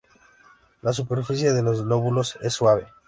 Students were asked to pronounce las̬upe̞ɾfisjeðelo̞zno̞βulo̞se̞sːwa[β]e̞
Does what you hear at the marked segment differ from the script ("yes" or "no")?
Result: no